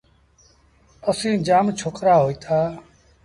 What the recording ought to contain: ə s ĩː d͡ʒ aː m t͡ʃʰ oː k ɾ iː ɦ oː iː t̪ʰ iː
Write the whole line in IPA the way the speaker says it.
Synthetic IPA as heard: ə s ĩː d͡ʒ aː m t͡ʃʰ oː k ɾ aː ɦ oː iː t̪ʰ aː